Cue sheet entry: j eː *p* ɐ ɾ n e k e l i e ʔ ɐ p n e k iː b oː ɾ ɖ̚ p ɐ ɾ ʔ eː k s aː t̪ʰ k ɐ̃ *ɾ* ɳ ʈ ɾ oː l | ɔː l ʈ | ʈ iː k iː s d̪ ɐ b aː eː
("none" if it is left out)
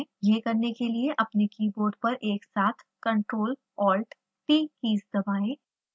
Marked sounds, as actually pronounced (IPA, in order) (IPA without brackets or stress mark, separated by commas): k, none